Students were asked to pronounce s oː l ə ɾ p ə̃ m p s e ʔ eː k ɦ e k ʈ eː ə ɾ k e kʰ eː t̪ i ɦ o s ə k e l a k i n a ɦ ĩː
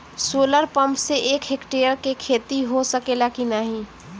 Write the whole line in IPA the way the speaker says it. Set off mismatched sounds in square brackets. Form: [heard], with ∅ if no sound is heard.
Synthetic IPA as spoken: s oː l ə ɾ p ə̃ m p s e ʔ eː k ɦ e k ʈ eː ə ɾ k e kʰ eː t̪ i ɦ o s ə k e l a k i n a ɦ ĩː

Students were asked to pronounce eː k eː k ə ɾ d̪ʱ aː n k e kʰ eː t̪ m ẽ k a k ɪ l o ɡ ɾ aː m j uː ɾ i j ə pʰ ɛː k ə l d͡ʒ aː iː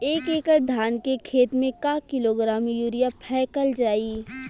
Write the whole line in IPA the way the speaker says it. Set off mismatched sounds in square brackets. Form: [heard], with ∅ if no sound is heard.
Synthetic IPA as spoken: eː k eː k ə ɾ d̪ʱ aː n k e kʰ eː t̪ m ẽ k a k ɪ l o ɡ ɾ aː m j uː ɾ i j [a] pʰ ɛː k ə l d͡ʒ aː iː

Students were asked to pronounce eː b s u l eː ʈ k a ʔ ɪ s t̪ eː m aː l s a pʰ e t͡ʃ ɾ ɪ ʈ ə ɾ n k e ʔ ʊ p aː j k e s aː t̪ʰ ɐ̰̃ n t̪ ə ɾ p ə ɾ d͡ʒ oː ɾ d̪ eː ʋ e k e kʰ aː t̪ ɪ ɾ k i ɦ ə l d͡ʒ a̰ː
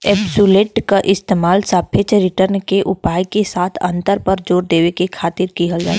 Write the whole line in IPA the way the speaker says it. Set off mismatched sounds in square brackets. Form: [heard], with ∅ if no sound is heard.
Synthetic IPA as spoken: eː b s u l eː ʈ k a ʔ ɪ s t̪ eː m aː l s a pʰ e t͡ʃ ɾ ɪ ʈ ə ɾ n k e ʔ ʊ p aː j k e s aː t̪ʰ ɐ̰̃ n t̪ ə ɾ p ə ɾ d͡ʒ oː ɾ d̪ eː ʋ e k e kʰ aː t̪ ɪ ɾ k i ɦ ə l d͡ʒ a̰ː

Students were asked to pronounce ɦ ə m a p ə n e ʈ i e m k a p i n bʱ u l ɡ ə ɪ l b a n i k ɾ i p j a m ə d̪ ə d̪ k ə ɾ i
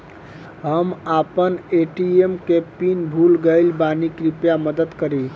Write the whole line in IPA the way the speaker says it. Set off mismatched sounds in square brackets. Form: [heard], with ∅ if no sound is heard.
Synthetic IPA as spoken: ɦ ə m a p ə n e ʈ i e m k [e] p i n bʱ u l ɡ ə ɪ l b a n i k ɾ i p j a m ə d̪ ə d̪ k ə ɾ i

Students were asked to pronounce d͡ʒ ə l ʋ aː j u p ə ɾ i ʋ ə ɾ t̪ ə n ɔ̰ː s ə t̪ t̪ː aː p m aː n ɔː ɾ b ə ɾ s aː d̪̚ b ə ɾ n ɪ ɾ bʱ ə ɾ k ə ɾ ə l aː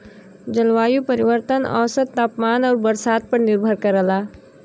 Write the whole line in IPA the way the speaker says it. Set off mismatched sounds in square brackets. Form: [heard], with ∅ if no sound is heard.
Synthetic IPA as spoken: d͡ʒ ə l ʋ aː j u p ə ɾ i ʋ ə ɾ t̪ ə n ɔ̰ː s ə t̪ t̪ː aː p m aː n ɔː ɾ b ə ɾ s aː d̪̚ [p] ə ɾ n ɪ ɾ bʱ ə ɾ k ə ɾ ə l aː

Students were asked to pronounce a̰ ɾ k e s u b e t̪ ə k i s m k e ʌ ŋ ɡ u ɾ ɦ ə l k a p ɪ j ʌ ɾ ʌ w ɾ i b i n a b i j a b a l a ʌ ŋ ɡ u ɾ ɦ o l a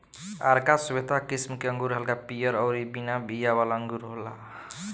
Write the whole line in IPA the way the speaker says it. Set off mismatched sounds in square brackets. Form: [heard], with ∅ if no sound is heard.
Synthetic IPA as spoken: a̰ ɾ k [a] s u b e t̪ [a] k i s m k e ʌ ŋ ɡ u ɾ ɦ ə l k a p [i] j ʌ ɾ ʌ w ɾ i b i n a b i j a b a l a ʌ ŋ ɡ u ɾ ɦ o l a

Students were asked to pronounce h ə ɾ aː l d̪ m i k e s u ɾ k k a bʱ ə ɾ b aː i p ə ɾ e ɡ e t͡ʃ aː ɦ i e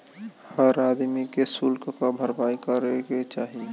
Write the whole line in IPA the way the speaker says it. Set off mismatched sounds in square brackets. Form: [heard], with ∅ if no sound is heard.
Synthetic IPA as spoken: h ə ɾ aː [∅] d̪ m i k e s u [l] k k a bʱ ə ɾ b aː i [k] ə ɾ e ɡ e t͡ʃ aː ɦ i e

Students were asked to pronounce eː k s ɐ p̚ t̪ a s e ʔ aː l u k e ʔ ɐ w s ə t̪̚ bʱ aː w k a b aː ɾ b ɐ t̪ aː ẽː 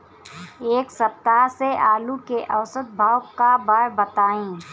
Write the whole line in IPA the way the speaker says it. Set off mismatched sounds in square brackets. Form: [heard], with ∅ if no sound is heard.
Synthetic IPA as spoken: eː k s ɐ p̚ t̪ a s e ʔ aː l u k e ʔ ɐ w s ə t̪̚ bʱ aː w k a b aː ɾ b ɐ t̪ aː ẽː

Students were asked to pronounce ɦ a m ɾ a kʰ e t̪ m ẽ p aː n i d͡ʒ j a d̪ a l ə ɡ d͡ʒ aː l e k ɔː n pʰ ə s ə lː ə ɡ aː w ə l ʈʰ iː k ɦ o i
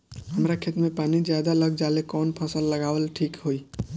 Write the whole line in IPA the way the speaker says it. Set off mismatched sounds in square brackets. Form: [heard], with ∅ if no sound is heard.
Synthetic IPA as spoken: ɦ [ə] m ɾ a kʰ e t̪ m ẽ p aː n i d͡ʒ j a d̪ a l ə ɡ d͡ʒ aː l e k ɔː n pʰ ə s ə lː ə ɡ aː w ə l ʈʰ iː k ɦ o i

